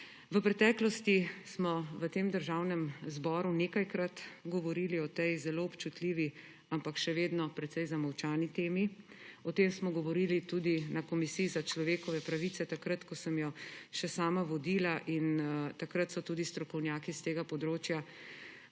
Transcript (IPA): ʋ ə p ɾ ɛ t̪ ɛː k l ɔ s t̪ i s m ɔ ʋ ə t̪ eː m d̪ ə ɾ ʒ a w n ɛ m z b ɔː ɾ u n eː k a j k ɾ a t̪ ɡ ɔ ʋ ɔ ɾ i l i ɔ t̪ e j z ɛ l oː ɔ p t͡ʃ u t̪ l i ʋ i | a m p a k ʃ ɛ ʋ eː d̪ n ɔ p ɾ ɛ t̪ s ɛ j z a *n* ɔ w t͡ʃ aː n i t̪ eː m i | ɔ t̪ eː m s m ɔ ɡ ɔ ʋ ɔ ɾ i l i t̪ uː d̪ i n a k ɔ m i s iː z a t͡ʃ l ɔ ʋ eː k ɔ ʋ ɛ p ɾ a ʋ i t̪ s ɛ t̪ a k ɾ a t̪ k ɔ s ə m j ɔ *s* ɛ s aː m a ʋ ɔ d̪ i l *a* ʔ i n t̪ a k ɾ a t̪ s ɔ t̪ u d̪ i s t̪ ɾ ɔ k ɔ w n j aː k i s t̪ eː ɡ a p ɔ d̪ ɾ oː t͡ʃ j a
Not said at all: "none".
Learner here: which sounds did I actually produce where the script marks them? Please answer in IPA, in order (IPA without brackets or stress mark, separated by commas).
m, ʃ, a